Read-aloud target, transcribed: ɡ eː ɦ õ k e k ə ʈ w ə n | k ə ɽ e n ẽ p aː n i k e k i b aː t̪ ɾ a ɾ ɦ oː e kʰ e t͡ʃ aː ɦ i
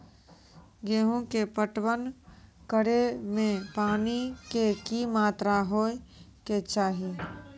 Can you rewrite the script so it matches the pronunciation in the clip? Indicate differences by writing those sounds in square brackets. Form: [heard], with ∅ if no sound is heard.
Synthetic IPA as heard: ɡ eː ɦ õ k e [p] ə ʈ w ə n | k ə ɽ e [m] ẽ p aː n i k e k i [m] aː t̪ ɾ a [∅] ɦ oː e [k] e t͡ʃ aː ɦ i